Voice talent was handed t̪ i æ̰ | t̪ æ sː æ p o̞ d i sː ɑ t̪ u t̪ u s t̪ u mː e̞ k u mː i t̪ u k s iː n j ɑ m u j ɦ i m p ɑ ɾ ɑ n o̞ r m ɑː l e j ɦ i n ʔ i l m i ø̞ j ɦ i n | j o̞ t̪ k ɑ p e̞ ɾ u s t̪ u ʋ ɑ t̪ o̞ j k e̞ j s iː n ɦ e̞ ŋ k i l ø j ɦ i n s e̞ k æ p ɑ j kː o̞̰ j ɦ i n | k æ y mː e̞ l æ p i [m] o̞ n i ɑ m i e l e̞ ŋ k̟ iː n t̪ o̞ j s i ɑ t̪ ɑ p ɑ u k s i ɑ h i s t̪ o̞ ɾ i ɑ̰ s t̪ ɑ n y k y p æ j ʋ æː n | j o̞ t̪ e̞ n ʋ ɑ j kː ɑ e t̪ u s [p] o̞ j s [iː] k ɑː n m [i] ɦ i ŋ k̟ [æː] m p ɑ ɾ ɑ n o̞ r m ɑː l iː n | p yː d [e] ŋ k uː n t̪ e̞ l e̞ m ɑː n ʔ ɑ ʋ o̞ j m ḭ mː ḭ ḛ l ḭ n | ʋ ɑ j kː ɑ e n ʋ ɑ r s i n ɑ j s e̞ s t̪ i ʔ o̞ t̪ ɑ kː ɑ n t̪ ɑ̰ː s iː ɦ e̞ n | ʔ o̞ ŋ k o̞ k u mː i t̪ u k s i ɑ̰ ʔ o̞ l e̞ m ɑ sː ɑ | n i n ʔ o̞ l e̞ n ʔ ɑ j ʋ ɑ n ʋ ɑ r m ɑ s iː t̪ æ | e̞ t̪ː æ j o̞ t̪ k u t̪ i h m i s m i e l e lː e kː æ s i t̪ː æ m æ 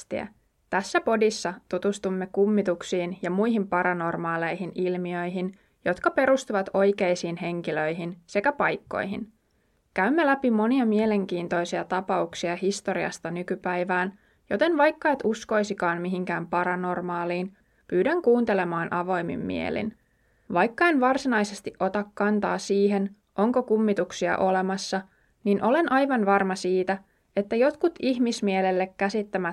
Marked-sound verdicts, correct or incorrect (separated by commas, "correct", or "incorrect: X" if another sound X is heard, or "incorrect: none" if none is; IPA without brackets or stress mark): correct, incorrect: k, incorrect: i, correct, correct, incorrect: æ